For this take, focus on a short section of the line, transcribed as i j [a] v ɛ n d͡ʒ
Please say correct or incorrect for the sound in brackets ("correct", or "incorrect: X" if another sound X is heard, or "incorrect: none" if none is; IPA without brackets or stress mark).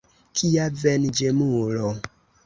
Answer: correct